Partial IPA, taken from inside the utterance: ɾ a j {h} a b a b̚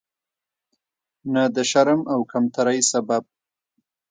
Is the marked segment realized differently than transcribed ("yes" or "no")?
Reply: yes